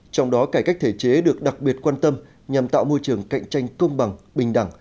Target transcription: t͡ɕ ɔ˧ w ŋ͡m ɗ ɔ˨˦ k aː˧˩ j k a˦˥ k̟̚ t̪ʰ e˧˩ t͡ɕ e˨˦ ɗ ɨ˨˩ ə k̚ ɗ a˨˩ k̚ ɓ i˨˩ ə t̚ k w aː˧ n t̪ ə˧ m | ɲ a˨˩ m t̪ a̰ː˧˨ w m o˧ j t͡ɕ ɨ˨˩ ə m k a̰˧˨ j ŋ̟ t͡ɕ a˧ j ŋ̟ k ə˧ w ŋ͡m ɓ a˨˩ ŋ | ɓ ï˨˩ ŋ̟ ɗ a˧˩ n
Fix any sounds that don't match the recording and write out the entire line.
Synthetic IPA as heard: t͡ɕ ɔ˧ w ŋ͡m ɗ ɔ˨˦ k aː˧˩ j k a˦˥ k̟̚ t̪ʰ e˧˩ t͡ɕ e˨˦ ɗ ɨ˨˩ ə k̚ ɗ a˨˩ k̚ ɓ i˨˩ ə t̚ k w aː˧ n t̪ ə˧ m | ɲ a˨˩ m t̪ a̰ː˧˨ w m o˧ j t͡ɕ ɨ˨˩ ə ŋ k a̰˧˨ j ŋ̟ t͡ɕ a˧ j ŋ̟ k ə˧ w ŋ͡m ɓ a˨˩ ŋ | ɓ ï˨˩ ŋ̟ ɗ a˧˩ ŋ